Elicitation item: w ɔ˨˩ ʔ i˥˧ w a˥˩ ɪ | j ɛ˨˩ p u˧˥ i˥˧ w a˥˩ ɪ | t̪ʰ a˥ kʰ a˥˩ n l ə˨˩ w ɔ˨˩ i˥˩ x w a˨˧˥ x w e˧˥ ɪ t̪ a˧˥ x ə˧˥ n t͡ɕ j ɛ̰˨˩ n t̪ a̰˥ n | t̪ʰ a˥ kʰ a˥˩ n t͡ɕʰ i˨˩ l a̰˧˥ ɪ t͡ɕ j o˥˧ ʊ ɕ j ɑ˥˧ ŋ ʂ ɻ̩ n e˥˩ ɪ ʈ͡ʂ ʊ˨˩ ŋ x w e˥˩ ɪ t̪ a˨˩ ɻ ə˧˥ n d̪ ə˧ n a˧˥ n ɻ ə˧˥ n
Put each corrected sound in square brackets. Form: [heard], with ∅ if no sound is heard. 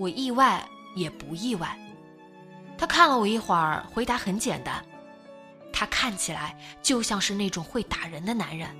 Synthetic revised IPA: w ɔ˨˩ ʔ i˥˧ w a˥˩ ɪ | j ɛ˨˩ p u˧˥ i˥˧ w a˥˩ ɪ | t̪ʰ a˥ kʰ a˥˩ n l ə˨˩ w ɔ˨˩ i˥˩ x w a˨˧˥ x w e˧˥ ɪ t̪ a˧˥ x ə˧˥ n t͡ɕ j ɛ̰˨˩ n t̪ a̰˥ n | t̪ʰ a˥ kʰ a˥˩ n t͡ɕʰ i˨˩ l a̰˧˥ ɪ t͡ɕ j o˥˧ ʊ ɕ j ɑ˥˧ ŋ ʂ ɻ̩ n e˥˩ ɪ ʈ͡ʂ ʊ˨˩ ŋ x w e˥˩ ɪ t̪ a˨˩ ɻ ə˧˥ n d̪ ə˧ n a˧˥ n ɻ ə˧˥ n